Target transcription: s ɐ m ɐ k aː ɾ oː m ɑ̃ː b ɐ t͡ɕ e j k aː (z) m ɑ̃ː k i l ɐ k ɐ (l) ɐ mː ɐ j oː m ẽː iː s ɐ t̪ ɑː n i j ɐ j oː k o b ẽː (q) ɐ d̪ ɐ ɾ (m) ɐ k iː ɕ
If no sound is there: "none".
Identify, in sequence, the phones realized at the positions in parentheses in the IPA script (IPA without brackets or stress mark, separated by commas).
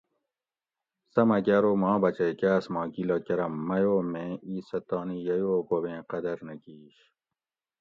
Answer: s, ɾ, q, n